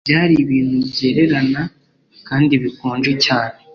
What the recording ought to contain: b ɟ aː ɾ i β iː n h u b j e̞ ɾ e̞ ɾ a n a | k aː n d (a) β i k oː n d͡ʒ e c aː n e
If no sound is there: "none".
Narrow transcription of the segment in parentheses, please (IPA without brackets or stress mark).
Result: i